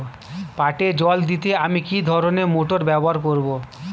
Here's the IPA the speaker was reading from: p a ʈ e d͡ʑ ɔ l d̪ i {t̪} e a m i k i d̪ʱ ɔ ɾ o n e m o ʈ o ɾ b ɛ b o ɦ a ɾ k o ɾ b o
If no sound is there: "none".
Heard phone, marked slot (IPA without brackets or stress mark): t̪